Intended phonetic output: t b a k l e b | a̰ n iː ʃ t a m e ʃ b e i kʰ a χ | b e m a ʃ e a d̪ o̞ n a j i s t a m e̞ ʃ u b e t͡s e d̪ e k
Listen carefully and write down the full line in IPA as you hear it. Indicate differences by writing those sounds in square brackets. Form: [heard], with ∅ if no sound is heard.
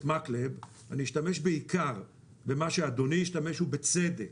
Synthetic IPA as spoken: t [m] a k l e b | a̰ n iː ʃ t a m e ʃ b e i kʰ a [ʁ] | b e m a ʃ e a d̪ o̞ n [i] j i [ʃ] t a m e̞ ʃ u b e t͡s e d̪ e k